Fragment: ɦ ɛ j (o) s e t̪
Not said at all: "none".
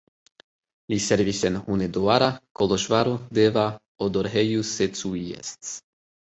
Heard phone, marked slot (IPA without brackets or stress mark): u